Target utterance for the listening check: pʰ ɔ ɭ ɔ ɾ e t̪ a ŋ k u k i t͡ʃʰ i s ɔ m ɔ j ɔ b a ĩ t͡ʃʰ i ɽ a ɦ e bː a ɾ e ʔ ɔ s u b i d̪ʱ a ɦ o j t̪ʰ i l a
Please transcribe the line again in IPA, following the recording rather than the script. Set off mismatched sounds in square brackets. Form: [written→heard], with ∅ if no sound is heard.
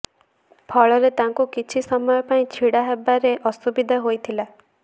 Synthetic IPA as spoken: pʰ ɔ ɭ ɔ ɾ e t̪ a ŋ k u k i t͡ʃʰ i s ɔ m ɔ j ɔ [b→p] a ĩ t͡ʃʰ i ɽ a ɦ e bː a ɾ e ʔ ɔ s u b i d̪ʱ a ɦ o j t̪ʰ i l a